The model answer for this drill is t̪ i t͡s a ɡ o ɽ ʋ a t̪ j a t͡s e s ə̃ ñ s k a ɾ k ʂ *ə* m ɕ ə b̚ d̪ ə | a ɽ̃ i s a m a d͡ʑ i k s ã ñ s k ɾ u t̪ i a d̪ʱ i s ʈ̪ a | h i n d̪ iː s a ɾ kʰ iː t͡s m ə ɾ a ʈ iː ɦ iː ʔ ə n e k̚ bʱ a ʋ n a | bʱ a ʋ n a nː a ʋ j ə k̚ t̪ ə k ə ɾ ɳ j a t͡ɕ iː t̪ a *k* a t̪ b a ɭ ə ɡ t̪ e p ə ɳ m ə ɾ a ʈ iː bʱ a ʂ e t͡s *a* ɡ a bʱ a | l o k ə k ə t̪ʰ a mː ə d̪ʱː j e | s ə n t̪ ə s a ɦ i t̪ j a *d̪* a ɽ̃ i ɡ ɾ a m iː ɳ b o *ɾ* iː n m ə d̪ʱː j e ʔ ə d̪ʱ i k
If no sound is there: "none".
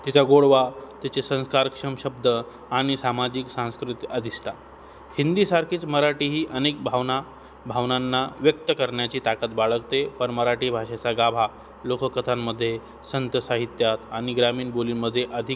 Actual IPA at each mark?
ə, k, a, t̪, l

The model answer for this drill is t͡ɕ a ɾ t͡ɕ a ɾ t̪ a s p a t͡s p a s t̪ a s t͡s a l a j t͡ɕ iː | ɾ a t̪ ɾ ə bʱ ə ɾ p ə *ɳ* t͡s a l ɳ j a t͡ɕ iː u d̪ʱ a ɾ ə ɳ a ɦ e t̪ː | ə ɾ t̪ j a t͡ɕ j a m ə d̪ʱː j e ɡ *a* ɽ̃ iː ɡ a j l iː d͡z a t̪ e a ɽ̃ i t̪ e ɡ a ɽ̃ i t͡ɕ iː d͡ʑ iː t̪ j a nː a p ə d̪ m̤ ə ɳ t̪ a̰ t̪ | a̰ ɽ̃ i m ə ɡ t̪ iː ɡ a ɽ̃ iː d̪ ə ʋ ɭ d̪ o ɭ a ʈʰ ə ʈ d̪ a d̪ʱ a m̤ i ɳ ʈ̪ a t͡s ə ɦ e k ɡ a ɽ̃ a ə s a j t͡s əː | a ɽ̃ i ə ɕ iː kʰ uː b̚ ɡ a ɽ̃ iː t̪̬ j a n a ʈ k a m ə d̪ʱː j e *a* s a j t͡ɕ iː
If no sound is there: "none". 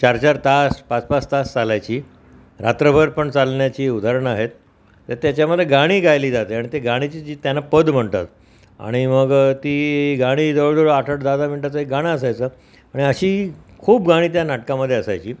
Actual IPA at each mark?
ɳ, a, ə

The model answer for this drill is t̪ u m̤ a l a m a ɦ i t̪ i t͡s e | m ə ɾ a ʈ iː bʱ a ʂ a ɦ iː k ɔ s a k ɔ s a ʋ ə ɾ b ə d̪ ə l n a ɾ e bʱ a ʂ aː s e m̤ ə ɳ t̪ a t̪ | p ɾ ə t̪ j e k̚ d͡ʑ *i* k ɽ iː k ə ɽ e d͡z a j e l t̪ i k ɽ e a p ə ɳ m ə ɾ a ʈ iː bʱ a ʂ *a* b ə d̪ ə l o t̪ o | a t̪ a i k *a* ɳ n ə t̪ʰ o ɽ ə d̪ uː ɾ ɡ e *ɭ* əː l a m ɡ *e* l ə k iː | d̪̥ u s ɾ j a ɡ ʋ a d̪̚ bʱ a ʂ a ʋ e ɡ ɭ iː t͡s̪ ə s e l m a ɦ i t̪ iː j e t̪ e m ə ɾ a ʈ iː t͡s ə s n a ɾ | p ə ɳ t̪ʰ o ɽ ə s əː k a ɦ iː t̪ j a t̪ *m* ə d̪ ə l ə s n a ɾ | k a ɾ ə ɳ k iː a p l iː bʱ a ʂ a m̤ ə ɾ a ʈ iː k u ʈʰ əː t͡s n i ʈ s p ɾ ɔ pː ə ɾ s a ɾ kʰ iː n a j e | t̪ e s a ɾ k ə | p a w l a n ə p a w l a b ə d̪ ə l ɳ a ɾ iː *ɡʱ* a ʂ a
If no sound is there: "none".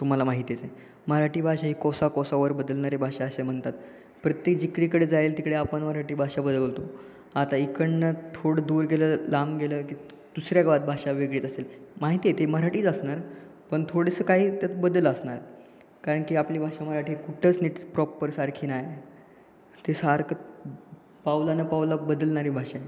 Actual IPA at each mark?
i, a, ə, l, e, b, bʱ

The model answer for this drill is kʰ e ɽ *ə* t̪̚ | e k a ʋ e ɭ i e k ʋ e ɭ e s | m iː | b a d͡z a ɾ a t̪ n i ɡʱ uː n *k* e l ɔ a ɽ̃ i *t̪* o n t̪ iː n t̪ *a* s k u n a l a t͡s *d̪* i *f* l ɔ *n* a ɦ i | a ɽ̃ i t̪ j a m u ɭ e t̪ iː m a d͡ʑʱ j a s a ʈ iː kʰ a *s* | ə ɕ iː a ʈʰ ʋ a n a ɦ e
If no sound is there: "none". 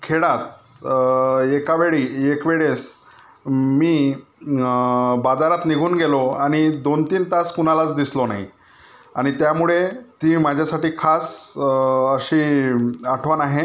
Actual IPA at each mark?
a, ɡ, d̪, a, d̪, s, n, s

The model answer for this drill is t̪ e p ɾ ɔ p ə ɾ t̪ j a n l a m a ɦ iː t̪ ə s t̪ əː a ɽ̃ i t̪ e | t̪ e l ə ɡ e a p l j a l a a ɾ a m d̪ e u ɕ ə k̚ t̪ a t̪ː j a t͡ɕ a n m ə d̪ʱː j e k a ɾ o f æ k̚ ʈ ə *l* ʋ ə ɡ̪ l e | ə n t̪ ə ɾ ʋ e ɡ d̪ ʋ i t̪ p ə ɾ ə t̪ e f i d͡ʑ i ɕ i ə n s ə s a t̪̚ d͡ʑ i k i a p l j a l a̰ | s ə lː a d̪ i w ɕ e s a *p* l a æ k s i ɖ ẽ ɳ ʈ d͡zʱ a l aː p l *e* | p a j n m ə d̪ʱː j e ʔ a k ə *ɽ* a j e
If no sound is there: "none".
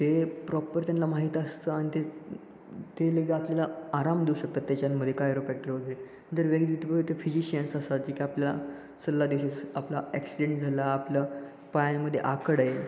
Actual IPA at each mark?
ɾ, p, a, ɽ

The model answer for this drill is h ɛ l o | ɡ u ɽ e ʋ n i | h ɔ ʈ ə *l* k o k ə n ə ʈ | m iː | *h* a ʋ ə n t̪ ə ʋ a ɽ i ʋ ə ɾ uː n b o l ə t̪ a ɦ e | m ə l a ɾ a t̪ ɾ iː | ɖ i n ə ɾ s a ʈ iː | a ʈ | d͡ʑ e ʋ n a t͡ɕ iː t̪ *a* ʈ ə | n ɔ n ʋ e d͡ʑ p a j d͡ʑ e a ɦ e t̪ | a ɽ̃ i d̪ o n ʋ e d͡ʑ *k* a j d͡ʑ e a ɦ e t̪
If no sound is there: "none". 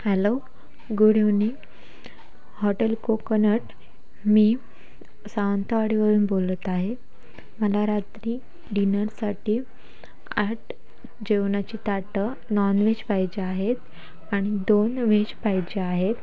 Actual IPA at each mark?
l, s, a, p

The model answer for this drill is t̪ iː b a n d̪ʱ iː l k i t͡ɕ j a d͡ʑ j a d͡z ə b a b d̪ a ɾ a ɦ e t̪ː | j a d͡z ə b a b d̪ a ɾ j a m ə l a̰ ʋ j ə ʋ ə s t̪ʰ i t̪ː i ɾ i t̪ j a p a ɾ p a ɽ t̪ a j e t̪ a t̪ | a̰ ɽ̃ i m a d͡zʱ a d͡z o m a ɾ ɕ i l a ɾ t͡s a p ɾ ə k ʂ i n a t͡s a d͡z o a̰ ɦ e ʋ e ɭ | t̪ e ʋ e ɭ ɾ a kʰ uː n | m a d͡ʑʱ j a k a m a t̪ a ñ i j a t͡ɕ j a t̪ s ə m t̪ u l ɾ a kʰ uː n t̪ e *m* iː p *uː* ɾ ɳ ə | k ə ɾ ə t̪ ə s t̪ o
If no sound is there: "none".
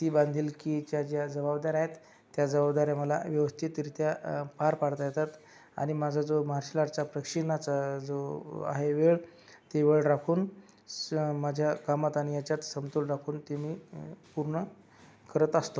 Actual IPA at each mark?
m, u

